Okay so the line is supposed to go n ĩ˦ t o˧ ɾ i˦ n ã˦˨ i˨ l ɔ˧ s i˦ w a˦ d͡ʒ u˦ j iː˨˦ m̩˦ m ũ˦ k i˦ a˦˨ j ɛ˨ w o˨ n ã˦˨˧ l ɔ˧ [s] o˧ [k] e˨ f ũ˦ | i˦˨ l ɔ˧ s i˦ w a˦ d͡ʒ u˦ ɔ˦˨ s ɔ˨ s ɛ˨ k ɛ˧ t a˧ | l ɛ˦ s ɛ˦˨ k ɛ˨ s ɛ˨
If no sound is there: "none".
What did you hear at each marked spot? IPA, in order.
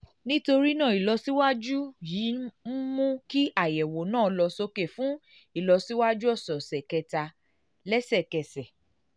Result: s, k

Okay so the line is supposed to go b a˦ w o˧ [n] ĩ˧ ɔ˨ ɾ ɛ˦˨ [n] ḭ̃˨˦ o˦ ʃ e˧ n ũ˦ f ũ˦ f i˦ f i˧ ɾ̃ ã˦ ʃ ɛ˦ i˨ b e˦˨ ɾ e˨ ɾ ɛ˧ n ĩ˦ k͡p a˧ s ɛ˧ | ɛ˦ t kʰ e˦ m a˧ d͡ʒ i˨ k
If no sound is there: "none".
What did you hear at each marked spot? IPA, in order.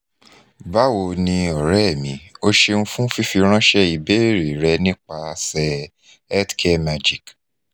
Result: n, m

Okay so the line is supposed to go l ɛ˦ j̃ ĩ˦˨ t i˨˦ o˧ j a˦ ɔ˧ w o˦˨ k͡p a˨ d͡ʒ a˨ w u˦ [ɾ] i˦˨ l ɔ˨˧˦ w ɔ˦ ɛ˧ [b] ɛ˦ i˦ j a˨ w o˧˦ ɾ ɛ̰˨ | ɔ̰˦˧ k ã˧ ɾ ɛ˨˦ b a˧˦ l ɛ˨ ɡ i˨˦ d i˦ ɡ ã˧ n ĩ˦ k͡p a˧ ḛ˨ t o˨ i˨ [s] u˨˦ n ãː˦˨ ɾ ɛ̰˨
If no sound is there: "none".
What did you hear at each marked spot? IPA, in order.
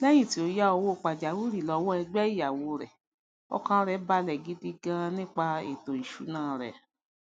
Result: ɾ, ɡ͡b, ʃ

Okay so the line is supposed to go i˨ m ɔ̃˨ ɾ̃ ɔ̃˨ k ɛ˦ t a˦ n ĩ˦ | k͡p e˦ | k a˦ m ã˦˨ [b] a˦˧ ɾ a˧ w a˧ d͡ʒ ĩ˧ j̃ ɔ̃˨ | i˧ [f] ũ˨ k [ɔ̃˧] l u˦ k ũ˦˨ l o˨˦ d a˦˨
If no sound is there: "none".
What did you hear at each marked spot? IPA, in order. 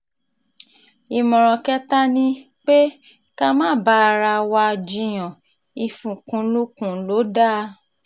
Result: b, f, ũ˧

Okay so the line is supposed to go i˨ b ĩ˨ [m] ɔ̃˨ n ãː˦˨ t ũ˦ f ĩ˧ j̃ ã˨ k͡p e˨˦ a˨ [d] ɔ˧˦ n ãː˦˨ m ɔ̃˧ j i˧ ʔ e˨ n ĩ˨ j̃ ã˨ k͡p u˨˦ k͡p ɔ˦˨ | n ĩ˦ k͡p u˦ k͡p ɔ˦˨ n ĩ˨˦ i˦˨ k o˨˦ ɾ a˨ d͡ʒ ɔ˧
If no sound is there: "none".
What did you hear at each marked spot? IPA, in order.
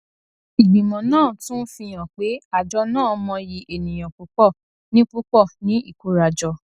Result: m, d͡ʒ

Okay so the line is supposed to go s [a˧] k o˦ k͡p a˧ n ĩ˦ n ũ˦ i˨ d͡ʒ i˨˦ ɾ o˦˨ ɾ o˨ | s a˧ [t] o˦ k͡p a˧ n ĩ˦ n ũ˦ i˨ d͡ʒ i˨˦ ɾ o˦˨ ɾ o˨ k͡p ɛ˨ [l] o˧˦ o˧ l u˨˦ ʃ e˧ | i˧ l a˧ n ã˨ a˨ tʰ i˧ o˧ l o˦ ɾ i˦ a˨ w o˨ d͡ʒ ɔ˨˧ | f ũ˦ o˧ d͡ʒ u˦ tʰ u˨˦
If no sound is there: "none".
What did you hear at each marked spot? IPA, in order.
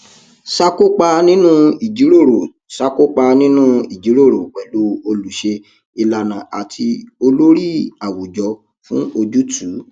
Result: a˧, k, l

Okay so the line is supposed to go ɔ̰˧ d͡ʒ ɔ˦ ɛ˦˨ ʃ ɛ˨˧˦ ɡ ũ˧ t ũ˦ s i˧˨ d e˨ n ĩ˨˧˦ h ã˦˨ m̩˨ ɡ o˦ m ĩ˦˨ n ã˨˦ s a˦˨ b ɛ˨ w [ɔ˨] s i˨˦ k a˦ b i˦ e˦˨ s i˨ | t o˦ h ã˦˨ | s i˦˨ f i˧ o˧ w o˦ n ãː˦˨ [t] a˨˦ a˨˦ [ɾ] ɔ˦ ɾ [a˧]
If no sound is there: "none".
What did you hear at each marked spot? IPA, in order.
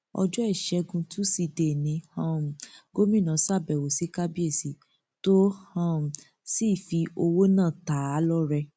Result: o˨, t, l, ɛ˧

